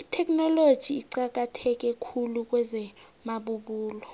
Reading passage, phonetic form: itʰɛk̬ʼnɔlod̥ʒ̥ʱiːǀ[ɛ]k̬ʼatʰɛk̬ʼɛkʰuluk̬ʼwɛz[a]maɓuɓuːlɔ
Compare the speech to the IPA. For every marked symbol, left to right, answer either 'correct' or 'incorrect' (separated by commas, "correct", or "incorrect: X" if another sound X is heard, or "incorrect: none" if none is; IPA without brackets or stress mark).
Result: incorrect: a, incorrect: ɛ